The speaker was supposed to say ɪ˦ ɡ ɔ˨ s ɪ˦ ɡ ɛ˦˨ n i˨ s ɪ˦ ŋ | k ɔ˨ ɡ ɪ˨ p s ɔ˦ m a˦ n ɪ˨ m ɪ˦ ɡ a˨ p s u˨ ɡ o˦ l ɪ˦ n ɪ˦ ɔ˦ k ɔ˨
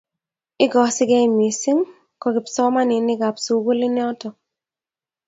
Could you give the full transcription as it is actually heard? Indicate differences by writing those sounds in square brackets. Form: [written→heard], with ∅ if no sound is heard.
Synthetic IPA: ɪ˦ ɡ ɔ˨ s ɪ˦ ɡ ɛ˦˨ [n→m] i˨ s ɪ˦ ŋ | k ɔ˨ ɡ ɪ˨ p s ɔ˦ m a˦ n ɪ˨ [m→n] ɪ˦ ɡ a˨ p s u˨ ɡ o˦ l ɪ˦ n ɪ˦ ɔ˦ [k→t] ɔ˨